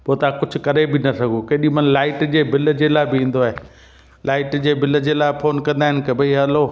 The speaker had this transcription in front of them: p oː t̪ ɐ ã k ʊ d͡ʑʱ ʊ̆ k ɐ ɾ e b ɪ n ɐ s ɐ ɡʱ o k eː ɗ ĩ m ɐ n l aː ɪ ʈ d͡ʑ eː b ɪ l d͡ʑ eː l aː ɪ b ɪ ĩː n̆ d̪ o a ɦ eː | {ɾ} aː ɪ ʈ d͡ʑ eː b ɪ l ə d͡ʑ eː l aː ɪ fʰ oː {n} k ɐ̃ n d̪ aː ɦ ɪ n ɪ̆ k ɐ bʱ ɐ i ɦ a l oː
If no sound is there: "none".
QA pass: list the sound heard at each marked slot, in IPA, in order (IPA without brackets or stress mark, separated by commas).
l, n